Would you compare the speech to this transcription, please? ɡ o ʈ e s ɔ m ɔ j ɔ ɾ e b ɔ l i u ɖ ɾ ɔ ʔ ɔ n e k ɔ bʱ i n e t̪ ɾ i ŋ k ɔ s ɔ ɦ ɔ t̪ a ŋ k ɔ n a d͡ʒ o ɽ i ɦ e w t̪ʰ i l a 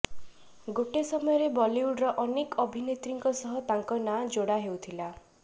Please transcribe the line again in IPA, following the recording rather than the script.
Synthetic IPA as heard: ɡ o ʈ e s ɔ m ɔ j ɔ ɾ e b ɔ l i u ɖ ɾ ɔ ʔ ɔ n e k ɔ bʱ i n e t̪ ɾ i ŋ k ɔ s ɔ ɦ ɔ t̪ a ŋ k ɔ n a d͡ʒ o ɽ a ɦ e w t̪ʰ i l a